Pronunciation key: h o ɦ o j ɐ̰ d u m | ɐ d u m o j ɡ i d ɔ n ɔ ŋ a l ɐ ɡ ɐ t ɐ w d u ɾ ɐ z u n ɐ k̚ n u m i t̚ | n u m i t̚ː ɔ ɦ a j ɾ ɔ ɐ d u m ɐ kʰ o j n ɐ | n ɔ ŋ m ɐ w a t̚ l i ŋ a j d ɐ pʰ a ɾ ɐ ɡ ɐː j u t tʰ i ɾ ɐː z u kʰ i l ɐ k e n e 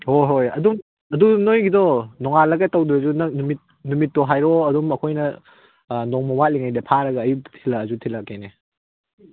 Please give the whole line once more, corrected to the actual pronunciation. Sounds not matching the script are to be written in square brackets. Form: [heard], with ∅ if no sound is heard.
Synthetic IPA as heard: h o ɦ o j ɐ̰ d u m | ɐ d u [n] o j ɡ i d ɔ n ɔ ŋ a l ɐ ɡ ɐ t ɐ w d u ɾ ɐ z u n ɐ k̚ n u m i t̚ | n u m i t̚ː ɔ ɦ a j ɾ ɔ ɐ d u m ɐ kʰ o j n ɐ | n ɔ ŋ m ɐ w a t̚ l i ŋ a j d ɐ pʰ a ɾ ɐ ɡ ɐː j u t tʰ i [l] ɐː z u [tʰ] i l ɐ k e n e